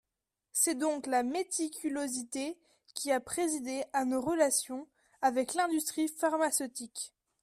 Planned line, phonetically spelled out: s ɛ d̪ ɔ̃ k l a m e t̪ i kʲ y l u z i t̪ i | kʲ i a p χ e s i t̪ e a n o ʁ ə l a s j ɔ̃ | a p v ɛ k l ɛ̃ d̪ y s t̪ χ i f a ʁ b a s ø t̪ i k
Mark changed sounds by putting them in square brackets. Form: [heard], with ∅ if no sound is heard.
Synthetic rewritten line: s ɛ d̪ ɔ̃ k l a m e t̪ i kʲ y l [o] z i t̪ [e] | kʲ i a p χ e [z] i [d̪] e a n o ʁ ə l a s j ɔ̃ | a [∅] v ɛ k l ɛ̃ d̪ y s t̪ χ i f a ʁ [m] a s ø t̪ i k